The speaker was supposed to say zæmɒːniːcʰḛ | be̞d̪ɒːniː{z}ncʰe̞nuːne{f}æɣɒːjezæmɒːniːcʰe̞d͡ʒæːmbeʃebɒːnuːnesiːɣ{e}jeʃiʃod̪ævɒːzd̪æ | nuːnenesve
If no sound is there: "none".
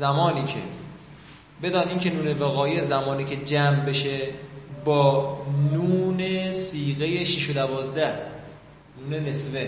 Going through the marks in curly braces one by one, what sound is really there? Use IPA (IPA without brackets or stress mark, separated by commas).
none, v, e